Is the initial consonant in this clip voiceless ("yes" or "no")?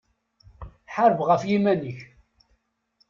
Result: yes